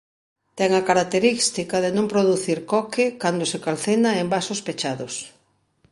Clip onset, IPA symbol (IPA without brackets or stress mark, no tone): t̪